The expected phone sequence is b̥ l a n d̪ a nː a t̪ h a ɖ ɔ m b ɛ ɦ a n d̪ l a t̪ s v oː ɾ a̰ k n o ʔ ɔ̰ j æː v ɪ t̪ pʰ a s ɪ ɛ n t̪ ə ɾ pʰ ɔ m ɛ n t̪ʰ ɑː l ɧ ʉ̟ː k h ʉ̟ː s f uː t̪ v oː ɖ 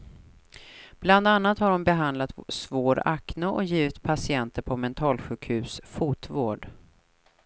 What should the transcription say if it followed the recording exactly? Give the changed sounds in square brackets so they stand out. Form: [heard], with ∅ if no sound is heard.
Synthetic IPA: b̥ l a n d̪ a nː a t̪ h a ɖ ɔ m b ɛ ɦ a n d̪ l a t̪ s v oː ɾ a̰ k n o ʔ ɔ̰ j [iː] v ɪ t̪ pʰ a s ɪ ɛ n t̪ ə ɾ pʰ ɔ m ɛ n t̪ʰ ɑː l ɧ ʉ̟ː k h ʉ̟ː s f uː t̪ v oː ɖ